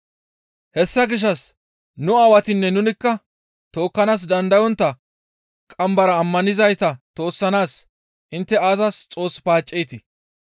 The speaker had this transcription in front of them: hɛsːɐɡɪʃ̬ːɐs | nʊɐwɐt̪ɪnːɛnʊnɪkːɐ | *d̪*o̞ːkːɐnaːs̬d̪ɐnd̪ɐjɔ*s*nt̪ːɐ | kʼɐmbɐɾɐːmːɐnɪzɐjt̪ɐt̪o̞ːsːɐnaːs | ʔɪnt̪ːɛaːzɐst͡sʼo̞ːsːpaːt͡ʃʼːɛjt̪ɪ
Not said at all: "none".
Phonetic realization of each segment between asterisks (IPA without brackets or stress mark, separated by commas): t̪, none